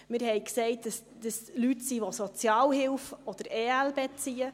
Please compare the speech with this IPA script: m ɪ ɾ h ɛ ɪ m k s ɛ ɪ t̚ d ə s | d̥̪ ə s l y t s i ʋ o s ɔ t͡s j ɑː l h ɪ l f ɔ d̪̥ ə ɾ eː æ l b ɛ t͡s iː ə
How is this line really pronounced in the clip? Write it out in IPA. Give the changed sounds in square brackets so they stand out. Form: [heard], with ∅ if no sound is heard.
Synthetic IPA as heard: m ɪ ɾ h ɛ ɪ [∅] k s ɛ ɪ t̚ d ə s | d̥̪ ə s l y t s i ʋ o s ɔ t͡s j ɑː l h ɪ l f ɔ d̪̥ ə ɾ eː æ l b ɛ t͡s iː ə